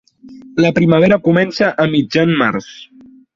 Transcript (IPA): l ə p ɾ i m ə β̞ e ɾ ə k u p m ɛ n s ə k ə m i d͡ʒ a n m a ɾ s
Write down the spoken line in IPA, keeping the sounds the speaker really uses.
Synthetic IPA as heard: l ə p ɾ i m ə β̞ e ɾ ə k u m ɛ n s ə ʔ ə m i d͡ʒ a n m a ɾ s

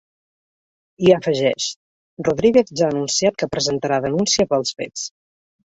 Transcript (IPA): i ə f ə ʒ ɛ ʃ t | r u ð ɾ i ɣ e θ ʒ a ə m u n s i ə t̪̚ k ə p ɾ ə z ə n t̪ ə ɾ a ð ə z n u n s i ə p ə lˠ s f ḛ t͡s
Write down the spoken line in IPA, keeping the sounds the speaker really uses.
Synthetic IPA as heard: i ə f ə ʒ ɛ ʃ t | r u ð ɾ i ɣ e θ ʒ a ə n u n s i a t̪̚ k ə p ɾ ə z ə n t̪ ə ɾ a ð ə n u n s i ə p ə lˠ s f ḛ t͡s

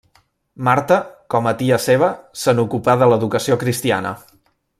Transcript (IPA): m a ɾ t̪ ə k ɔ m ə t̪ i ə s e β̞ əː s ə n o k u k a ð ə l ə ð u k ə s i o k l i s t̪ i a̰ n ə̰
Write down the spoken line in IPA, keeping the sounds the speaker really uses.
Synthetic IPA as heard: m a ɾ t̪ ə k ɔ m ə t̪ i ə s e β̞ ə s ə n u k u p a ð ə l ə ð u k ə s i o k ɾ i s t̪ i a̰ n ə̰

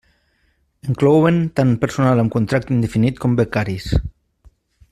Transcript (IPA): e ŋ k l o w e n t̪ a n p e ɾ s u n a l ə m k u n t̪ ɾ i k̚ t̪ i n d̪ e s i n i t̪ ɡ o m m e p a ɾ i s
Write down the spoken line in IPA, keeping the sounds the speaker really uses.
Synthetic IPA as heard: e ŋ k l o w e n t̪ a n p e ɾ s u n a l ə m k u n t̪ ɾ a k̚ t̪ i n d̪ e f i n i t̪ k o m b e k a ɾ i s

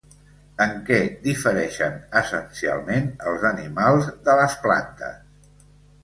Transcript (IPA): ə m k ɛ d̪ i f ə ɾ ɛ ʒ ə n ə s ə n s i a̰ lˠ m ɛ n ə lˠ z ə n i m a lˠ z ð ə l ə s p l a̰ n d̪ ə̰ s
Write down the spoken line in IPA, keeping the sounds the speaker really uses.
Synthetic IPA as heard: ə ŋ k ɛ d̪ i f ə ɾ ɛ ʃ ə n ə s ə n s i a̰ lˠ m e n ə lˠ z ə n i m a lˠ z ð ə l ə s p l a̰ n t̪ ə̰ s

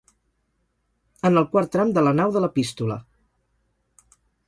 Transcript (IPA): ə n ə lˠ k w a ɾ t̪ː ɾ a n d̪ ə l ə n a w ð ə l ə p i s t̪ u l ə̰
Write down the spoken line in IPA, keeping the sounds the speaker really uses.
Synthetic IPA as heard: ə n ə lˠ k w a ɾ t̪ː ɾ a m d̪ ə l ə n a w ð ə l ə p i s t̪ u l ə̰

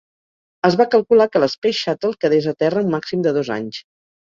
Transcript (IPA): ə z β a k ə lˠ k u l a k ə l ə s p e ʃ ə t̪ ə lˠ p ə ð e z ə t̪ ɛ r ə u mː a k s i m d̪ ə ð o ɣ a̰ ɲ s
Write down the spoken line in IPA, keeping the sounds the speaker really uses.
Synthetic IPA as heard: ə z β a k ə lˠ k u l a k ə l ə s p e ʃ a t̪ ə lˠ k ə ð e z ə t̪ ɛ r ə u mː a k s i m d̪ ə ð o z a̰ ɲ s

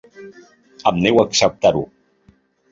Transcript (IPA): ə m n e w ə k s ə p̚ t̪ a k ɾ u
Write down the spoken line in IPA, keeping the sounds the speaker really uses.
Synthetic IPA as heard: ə m n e w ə k s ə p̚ t̪ a ɾ u

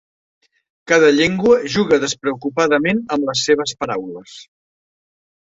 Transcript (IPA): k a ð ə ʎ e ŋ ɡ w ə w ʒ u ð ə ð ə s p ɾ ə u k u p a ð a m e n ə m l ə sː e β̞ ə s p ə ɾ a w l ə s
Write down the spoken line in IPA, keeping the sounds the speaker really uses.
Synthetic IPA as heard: k a ð ə ʎ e ŋ ɡ w ə ʒ u ɣ ə ð ə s p ɾ ə u k u p a ð ə m e n ə m l ə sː e β̞ ə s p ə ɾ a w l ə s

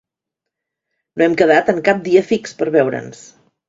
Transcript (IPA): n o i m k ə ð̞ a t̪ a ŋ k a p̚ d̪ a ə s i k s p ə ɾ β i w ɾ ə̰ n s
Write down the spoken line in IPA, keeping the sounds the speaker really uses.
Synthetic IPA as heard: n o ɛ m k ə ð̞ a t̪ ə ŋ k a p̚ d̪ i ə f i k s p ə ɾ β ɛ w ɾ ə̰ n s

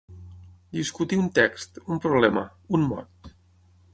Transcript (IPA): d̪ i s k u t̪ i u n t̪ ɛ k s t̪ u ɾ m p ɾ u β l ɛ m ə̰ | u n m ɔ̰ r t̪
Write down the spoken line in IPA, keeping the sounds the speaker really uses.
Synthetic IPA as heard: d̪ i s k u t̪ i u n t̪ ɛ k s t̪ u m p ɾ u β l ɛ m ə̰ | u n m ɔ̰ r t̪

